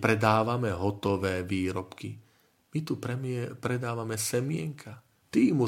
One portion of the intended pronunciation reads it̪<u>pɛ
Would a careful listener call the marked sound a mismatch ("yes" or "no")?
no